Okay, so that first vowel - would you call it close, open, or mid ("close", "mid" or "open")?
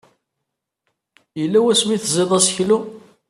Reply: mid